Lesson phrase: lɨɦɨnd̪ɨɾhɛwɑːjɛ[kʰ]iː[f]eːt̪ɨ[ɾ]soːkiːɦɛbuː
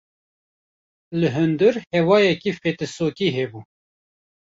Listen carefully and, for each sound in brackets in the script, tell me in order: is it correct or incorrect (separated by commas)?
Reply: incorrect, correct, incorrect